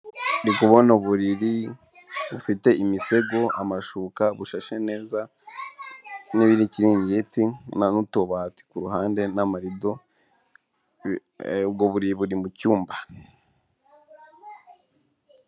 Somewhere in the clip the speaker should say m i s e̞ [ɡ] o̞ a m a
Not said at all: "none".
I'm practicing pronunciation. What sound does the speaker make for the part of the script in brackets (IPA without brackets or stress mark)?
ɡ